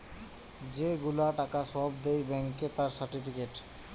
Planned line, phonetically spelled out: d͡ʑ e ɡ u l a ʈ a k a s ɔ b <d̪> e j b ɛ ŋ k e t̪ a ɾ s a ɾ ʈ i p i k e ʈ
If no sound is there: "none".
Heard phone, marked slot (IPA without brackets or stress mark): d̪